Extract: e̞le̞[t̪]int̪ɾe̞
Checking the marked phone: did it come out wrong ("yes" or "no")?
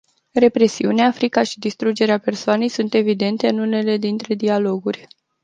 yes